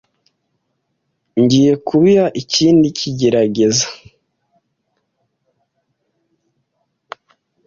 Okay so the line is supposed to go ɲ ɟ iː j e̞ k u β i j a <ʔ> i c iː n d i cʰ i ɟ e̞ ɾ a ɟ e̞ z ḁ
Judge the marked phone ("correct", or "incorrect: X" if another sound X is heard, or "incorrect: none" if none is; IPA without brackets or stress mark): correct